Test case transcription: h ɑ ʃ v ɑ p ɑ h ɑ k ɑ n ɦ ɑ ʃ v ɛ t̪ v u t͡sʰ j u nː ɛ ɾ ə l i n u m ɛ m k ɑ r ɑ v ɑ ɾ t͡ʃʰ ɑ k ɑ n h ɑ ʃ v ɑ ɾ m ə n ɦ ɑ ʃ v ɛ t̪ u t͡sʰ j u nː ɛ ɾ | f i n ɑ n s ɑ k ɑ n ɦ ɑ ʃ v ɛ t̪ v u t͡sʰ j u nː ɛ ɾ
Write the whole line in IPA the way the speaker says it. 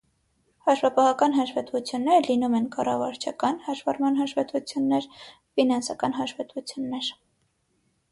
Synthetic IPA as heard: h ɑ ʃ v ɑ p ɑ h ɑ k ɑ n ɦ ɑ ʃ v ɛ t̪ v u t͡sʰ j u nː ɛ ɾ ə l i n u m ɛ n k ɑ r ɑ v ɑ ɾ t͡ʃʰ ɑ k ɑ n h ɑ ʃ v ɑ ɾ m ɑ n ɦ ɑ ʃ v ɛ t̪ u t͡sʰ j u nː ɛ ɾ | f i n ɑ n s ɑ k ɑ n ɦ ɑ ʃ v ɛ t̪ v u t͡sʰ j u nː ɛ ɾ